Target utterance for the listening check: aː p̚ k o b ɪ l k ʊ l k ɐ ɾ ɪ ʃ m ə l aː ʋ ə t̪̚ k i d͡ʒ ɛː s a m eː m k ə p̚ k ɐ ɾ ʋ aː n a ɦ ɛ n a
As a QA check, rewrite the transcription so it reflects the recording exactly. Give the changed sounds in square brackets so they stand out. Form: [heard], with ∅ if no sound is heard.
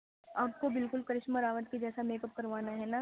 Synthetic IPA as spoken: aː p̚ k o b ɪ l k ʊ l k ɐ ɾ ɪ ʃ m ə [ɾ] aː ʋ ə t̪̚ k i d͡ʒ ɛː s a m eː [∅] k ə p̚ k ɐ ɾ ʋ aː n a ɦ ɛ n a

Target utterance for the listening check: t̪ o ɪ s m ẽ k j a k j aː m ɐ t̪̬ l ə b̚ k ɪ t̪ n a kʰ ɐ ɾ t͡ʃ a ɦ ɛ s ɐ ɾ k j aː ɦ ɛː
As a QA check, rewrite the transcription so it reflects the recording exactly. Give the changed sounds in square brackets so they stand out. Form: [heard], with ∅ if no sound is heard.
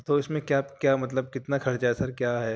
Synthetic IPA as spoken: t̪ o ɪ s m ẽ k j a k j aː m ɐ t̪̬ l ə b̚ k ɪ t̪ n a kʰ ɐ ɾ t͡ʃ a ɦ ɛ s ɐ ɾ k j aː ɦ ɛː

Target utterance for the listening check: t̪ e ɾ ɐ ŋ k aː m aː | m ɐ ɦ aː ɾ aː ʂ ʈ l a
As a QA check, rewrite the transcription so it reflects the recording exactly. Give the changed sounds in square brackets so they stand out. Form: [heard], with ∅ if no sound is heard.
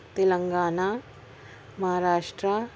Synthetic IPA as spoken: t̪ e [l] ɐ ŋ [ɡ] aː [n] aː | m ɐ ɦ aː ɾ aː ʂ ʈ [ɾ] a

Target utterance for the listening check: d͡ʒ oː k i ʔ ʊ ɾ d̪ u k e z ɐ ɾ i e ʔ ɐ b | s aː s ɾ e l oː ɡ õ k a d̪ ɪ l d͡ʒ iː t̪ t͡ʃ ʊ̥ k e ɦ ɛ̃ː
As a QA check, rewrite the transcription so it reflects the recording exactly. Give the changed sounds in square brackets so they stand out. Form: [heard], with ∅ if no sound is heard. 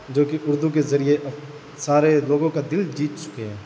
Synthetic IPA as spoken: d͡ʒ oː k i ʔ ʊ ɾ d̪ u k e z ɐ ɾ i e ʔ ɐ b | s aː [∅] ɾ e l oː ɡ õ k a d̪ ɪ l d͡ʒ iː t̪ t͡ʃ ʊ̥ k e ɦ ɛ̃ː

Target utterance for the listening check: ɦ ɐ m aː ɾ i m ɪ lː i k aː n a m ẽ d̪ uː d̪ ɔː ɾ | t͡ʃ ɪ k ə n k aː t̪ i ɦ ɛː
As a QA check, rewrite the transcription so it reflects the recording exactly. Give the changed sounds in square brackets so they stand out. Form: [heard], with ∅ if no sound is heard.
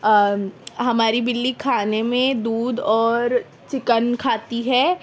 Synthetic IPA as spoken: ɦ ɐ m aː ɾ i [b] ɪ lː i [kʰ] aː n [e] m ẽ d̪ uː d̪ ɔː ɾ | t͡ʃ ɪ k ə n [kʰ] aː t̪ i ɦ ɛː

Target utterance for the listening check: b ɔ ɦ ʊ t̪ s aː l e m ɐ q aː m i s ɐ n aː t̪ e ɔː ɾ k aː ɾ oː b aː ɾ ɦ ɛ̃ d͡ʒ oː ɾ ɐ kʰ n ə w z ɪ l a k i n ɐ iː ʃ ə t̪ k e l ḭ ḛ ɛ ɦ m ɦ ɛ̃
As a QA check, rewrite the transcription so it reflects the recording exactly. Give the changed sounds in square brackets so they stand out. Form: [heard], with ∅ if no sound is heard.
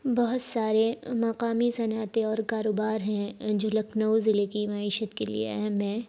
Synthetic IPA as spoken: b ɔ ɦ ʊ t̪ s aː [ɾ] e m ɐ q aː m i s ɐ n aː t̪ e ɔː ɾ k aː ɾ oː b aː ɾ ɦ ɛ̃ d͡ʒ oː [l] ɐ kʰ n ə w z ɪ l [e] k i [m] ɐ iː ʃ ə t̪ k e l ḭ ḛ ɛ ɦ m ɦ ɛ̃

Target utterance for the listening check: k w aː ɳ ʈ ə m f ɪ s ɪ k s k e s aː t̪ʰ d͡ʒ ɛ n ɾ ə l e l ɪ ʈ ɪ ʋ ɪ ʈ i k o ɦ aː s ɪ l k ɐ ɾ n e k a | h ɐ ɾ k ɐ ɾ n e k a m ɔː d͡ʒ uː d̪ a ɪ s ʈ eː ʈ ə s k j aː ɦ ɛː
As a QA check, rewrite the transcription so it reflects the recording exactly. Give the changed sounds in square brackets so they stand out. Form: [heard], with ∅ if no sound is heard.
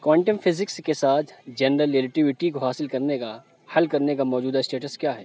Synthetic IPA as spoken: k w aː ɳ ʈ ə m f ɪ [z] ɪ k s k e s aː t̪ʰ d͡ʒ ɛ n ɾ ə l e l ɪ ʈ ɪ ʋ ɪ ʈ i k o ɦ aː s ɪ l k ɐ ɾ n e k a | h ɐ [l] k ɐ ɾ n e k a m ɔː d͡ʒ uː d̪ a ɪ s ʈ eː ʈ ə s k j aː ɦ ɛː

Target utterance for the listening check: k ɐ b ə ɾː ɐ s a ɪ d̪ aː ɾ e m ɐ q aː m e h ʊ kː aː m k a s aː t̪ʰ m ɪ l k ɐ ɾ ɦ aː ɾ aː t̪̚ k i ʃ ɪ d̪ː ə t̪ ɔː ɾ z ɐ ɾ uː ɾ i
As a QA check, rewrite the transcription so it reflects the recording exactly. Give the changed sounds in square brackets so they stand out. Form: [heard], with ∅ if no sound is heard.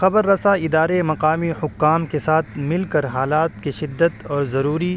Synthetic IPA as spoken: [x] ɐ b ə ɾː ɐ s a ɪ d̪ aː ɾ e m ɐ q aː m [i] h ʊ kː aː m k [e] s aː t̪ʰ m ɪ l k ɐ ɾ ɦ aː [l] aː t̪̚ k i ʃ ɪ d̪ː ə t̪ ɔː ɾ z ɐ ɾ uː ɾ i

